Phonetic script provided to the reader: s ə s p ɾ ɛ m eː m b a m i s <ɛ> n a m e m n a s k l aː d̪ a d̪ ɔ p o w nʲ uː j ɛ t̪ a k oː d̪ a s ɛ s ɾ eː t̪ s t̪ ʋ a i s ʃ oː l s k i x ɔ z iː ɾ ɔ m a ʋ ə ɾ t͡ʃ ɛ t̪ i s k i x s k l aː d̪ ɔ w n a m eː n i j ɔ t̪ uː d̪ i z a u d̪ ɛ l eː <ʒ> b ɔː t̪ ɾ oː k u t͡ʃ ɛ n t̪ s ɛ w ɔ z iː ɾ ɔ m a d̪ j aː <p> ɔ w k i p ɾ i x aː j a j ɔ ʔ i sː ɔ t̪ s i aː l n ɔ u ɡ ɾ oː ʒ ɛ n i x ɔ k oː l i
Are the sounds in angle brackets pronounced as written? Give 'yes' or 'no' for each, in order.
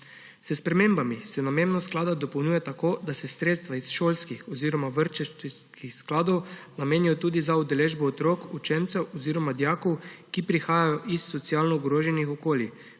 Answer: yes, yes, no

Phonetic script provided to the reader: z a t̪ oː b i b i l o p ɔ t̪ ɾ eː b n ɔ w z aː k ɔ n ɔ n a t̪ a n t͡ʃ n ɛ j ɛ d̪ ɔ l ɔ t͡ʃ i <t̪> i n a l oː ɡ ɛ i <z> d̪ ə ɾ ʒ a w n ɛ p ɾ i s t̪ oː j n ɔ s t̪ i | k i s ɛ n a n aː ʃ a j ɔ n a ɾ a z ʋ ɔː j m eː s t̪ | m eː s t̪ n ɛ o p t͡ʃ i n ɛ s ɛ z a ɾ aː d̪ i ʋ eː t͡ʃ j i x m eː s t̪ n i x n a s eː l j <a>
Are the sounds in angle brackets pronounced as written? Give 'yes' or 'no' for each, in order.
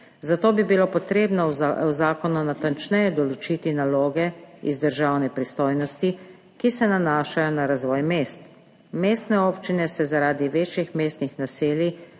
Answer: yes, yes, no

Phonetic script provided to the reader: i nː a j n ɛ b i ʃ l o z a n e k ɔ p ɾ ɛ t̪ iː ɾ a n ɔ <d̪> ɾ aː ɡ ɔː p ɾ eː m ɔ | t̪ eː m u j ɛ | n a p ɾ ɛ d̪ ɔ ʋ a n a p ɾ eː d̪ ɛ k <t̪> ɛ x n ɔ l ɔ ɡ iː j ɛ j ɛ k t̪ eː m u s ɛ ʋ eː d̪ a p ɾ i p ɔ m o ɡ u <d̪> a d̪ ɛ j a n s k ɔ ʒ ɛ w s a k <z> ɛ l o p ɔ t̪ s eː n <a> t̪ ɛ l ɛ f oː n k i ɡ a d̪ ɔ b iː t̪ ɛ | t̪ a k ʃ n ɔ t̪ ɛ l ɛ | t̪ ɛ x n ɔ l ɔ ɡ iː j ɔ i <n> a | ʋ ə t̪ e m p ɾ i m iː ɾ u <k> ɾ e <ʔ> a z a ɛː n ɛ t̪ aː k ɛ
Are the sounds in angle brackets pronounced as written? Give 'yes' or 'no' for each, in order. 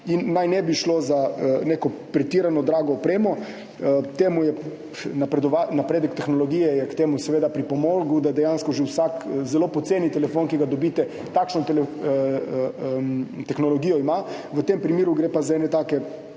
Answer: yes, yes, yes, yes, no, no, no, no

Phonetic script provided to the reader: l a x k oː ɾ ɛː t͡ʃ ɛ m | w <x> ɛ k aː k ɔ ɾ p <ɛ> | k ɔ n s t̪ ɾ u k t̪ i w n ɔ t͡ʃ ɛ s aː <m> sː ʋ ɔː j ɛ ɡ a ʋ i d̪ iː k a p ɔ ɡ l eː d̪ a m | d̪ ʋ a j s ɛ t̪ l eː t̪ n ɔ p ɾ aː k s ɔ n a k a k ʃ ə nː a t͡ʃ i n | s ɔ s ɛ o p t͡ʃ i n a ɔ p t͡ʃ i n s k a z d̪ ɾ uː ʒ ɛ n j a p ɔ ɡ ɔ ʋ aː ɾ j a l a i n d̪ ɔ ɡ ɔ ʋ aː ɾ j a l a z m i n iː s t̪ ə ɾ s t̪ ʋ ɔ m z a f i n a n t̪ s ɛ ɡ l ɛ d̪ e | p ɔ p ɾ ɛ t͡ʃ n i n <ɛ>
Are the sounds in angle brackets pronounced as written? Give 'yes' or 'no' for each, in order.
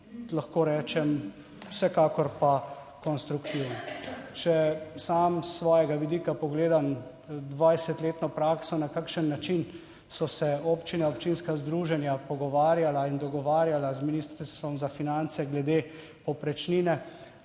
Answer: no, no, yes, yes

